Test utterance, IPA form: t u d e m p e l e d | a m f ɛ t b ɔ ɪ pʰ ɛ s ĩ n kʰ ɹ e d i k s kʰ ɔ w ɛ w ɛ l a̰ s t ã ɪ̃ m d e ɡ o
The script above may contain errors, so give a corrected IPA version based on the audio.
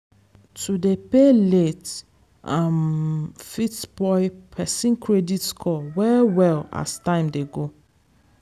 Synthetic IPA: t u d e p e l e t | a m f i t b ɔ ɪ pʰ ɛ s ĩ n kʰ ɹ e d i t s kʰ ɔ w ɛ w ɛ l a̰ s t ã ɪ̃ m d e ɡ o